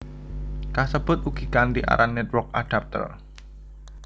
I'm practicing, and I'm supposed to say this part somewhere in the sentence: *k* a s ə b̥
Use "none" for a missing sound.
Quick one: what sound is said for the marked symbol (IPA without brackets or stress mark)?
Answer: k